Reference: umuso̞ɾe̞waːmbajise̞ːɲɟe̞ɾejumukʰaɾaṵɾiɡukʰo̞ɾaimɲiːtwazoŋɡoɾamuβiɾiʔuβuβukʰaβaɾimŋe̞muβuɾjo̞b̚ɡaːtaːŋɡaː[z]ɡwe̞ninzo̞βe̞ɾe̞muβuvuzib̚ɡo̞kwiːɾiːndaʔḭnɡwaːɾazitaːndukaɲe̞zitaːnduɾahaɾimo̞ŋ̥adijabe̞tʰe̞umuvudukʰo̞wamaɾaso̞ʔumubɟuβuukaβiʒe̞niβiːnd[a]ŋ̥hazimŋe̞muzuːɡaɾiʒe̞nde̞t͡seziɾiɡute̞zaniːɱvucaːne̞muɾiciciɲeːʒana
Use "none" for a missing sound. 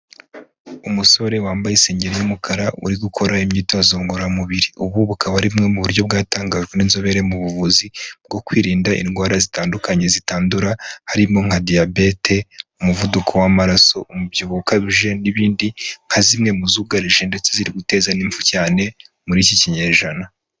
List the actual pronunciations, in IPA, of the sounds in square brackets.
ʒ, i

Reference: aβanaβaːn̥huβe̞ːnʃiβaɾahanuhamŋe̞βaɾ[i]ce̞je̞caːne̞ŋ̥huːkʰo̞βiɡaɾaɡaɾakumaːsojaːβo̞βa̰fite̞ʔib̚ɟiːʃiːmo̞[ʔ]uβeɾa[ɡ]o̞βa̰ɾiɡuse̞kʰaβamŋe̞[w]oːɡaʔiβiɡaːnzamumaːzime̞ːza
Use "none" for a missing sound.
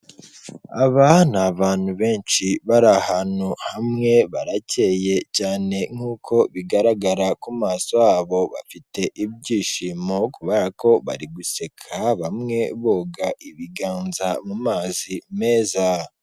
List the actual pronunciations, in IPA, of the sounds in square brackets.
a, k, k, β

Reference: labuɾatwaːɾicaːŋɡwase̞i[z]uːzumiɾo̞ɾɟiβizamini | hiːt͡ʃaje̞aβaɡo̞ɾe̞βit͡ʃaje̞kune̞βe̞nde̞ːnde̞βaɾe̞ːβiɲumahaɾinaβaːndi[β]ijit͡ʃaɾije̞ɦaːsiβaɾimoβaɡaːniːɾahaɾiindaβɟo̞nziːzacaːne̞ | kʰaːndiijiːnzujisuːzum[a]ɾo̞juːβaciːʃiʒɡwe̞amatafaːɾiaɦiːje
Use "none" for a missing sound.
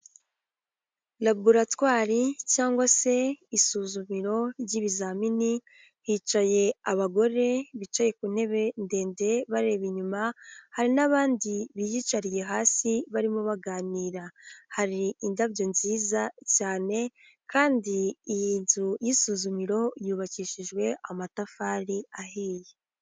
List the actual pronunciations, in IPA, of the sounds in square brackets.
s, β, i

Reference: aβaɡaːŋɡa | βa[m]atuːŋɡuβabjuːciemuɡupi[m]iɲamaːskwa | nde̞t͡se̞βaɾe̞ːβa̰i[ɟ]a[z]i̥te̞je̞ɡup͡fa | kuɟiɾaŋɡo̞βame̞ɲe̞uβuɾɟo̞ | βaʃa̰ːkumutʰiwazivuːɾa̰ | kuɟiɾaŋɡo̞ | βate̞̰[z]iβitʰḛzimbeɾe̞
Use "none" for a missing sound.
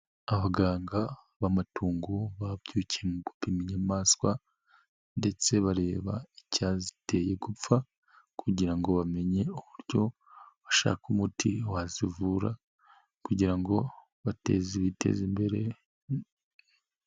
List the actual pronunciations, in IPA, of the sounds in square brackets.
m, m, c, z, z

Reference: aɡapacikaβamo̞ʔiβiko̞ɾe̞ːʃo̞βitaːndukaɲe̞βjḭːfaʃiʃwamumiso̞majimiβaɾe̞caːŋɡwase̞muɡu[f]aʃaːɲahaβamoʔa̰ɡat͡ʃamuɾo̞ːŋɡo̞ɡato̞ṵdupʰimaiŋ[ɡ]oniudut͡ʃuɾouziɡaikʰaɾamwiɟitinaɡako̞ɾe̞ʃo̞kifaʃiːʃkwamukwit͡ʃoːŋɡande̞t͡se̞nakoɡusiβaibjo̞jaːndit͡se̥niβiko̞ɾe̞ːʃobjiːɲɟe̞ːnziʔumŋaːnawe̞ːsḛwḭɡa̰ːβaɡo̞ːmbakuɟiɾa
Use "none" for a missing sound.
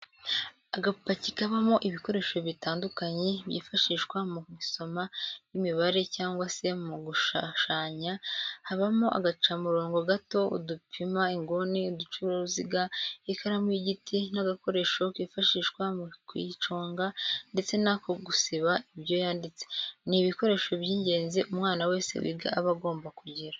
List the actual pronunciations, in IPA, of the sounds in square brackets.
ʃ, ɡ

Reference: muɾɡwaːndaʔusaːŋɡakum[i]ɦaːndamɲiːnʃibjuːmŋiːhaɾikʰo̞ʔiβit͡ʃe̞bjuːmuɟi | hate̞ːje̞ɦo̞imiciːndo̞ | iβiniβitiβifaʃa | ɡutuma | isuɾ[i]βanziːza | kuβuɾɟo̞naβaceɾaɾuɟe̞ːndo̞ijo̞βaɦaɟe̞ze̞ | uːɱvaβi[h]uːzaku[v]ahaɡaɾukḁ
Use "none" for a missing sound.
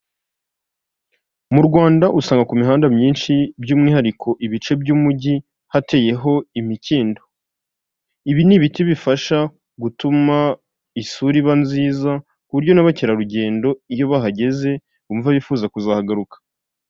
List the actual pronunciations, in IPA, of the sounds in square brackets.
i, i, f, z

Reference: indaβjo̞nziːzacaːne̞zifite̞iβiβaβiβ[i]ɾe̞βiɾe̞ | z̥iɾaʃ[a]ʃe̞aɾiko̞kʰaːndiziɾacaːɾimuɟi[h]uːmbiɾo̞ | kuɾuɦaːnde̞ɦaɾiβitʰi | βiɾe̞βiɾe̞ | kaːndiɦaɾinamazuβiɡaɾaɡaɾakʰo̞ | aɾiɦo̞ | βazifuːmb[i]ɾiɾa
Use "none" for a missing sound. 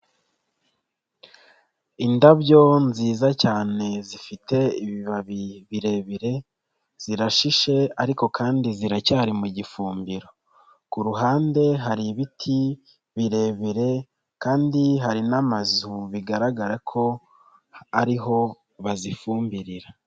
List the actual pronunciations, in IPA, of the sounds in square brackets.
i, i, f, i

